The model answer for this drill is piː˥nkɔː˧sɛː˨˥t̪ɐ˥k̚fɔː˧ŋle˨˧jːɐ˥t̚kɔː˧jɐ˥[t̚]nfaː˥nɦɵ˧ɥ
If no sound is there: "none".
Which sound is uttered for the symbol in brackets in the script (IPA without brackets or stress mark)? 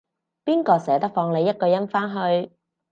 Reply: none